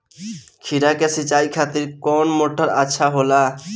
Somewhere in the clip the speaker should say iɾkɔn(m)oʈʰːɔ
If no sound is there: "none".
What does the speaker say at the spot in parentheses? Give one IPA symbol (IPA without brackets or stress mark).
m